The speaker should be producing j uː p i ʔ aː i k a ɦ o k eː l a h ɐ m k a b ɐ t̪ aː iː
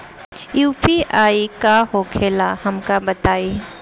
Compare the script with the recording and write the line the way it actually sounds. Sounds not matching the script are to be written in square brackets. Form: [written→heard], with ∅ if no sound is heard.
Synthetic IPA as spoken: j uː p i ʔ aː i k a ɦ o [k→kʰ] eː l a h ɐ m k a b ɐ t̪ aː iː